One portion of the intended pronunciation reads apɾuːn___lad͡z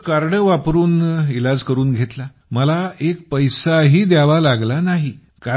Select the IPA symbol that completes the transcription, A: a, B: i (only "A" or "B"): B